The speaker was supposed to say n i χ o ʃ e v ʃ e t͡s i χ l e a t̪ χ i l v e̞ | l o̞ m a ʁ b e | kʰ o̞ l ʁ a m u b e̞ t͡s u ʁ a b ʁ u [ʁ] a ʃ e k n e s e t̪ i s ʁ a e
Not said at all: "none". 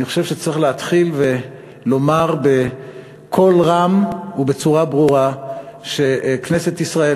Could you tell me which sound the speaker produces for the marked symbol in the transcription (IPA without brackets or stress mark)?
ʁ